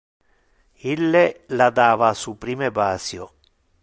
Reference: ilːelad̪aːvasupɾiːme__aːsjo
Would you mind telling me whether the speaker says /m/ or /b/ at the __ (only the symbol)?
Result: b